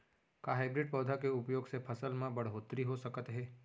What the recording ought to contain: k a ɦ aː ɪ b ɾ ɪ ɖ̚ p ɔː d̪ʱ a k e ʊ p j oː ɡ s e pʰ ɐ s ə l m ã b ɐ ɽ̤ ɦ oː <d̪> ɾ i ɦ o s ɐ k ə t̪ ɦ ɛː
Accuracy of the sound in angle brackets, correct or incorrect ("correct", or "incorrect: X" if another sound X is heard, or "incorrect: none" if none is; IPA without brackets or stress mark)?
incorrect: t̪